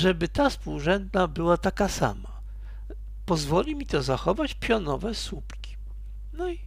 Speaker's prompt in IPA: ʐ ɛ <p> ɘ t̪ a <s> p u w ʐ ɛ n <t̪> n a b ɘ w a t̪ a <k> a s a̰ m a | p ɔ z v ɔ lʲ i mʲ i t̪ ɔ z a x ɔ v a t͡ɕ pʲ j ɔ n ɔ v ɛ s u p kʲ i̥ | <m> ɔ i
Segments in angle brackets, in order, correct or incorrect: incorrect, correct, incorrect, correct, incorrect

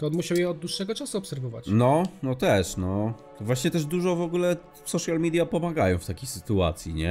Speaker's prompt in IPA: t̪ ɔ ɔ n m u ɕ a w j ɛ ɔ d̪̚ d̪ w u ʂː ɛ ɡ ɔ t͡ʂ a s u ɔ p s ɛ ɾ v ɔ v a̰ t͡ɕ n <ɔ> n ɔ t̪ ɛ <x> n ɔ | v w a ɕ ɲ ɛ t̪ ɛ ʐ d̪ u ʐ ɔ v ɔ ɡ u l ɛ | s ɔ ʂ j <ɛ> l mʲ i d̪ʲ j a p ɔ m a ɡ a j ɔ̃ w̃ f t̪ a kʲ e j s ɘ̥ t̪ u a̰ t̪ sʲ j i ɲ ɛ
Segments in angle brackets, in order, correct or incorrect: correct, incorrect, incorrect

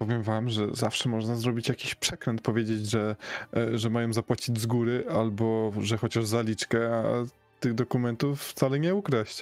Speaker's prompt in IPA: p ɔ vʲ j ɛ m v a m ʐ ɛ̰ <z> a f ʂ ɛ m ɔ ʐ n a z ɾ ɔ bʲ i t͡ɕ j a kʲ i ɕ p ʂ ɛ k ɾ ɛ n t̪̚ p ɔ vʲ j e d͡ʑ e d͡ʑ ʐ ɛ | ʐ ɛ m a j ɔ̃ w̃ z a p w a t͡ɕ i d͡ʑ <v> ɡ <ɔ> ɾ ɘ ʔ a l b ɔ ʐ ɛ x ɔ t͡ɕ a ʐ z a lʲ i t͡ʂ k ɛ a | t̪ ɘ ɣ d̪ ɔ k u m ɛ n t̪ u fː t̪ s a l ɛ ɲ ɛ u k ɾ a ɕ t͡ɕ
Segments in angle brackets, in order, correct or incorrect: correct, incorrect, incorrect

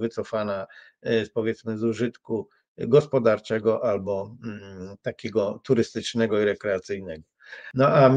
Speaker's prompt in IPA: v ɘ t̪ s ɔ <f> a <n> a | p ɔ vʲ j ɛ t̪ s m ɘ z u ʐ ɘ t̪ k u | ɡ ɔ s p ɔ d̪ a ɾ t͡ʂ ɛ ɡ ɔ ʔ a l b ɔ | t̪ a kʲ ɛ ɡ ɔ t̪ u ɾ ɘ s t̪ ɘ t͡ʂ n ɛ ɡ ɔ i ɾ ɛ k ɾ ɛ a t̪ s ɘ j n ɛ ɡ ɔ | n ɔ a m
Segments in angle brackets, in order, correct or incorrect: correct, correct

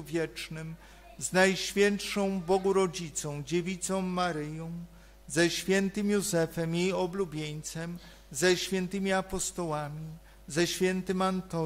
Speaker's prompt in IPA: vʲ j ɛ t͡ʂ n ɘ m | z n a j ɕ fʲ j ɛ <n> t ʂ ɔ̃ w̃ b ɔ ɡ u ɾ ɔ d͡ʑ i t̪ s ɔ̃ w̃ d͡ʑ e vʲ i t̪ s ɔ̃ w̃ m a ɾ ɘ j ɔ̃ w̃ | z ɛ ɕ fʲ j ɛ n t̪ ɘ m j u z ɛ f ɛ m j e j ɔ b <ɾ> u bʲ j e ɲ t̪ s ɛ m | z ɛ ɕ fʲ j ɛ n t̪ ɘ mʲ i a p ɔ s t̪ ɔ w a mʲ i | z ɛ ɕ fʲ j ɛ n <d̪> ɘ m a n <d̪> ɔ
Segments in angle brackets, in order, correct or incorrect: correct, incorrect, incorrect, incorrect

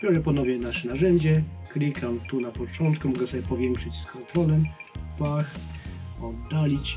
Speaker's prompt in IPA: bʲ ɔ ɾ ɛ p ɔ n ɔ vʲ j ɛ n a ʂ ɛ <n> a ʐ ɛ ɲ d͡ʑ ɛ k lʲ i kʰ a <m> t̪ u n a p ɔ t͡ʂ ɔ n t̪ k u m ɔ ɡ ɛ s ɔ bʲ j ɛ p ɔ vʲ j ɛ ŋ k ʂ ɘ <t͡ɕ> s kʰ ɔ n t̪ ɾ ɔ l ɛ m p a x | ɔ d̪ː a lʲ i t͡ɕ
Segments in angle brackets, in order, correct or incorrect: correct, correct, correct

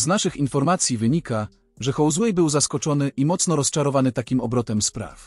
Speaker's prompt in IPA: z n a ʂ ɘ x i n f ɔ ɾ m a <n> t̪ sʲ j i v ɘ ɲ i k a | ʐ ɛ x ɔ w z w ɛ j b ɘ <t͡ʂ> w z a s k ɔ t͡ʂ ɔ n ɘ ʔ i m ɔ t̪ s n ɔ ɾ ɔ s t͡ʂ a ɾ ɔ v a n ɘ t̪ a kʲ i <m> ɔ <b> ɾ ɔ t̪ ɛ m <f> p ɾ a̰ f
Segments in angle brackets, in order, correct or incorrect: incorrect, incorrect, correct, correct, incorrect

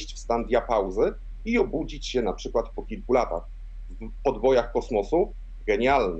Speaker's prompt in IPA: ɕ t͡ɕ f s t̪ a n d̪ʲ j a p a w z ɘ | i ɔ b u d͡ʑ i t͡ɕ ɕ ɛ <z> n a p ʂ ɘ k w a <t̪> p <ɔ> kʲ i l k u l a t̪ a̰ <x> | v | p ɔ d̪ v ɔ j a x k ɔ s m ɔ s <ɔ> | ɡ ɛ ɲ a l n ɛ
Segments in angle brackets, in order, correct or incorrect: incorrect, correct, correct, correct, incorrect

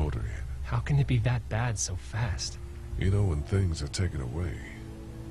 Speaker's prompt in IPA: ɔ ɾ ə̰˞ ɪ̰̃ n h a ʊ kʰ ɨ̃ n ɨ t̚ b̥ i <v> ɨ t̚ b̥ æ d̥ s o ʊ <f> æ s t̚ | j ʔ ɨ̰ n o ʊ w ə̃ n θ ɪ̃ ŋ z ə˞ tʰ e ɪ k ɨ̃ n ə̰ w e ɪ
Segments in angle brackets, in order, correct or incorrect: incorrect, correct

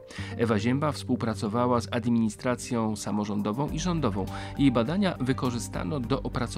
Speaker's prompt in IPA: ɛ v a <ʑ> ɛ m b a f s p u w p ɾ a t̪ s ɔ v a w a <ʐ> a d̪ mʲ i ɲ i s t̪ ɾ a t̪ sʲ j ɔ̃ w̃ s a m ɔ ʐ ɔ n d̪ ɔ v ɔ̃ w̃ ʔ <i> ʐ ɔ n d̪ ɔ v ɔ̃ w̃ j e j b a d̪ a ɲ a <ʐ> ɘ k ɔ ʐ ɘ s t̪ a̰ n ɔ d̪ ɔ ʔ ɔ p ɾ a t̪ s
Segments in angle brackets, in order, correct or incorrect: correct, incorrect, correct, incorrect

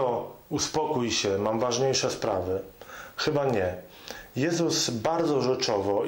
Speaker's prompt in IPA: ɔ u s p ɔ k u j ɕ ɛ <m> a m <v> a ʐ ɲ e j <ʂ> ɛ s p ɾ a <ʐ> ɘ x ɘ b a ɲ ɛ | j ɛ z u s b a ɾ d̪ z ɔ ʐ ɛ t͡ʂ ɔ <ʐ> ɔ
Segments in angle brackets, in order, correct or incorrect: correct, correct, correct, incorrect, incorrect

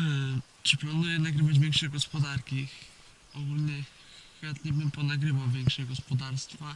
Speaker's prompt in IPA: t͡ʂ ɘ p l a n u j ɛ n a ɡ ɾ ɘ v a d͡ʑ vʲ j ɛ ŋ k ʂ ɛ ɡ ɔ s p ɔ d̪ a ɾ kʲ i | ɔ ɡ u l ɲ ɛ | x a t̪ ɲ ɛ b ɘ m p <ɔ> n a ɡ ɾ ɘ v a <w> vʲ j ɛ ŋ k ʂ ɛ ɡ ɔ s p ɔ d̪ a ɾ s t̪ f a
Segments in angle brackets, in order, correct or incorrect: correct, correct

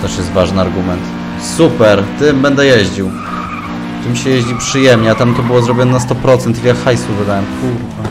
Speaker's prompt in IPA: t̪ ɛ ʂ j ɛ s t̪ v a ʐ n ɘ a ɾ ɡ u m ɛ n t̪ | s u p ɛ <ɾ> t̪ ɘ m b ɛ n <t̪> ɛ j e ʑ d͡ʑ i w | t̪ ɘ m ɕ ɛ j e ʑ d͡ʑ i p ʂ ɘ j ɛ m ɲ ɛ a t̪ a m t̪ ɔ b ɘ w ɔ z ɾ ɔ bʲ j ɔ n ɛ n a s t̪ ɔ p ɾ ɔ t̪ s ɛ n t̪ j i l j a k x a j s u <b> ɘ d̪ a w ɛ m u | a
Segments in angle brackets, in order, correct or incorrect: correct, incorrect, incorrect

